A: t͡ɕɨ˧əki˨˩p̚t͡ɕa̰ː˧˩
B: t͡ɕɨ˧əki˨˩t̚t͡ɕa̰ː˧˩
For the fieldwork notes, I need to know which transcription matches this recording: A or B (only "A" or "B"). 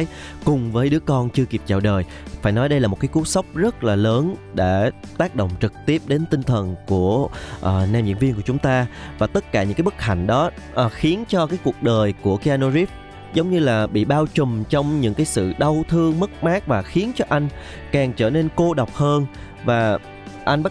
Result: A